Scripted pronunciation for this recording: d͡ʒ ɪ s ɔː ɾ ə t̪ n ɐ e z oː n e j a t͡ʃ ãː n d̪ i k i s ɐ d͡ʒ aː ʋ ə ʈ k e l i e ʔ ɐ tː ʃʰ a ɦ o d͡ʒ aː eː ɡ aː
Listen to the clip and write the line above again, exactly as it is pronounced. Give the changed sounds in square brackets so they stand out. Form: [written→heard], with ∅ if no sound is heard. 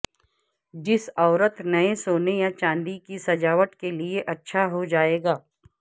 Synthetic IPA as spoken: d͡ʒ ɪ s ɔː ɾ ə t̪ n ɐ e [z→s] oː n e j a t͡ʃ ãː n d̪ i k i s ɐ d͡ʒ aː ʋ ə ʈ k e l i e ʔ ɐ tː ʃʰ a ɦ o d͡ʒ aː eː ɡ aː